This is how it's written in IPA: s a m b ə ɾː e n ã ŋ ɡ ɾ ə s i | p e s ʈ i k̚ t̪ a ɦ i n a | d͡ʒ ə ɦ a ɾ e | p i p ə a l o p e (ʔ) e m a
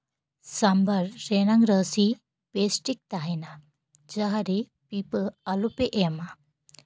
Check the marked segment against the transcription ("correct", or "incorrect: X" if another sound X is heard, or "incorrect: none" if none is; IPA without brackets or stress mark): correct